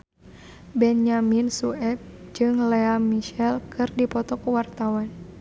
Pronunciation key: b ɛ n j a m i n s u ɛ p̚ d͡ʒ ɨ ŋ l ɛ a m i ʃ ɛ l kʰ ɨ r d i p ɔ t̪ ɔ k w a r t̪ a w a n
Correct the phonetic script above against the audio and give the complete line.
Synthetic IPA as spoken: b ɛ n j a m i n s u ɛ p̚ d͡ʒ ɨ ŋ l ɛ a m i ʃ ɛ l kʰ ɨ r d i p ɔ t̪ ɔ k w a r t̪ a w a n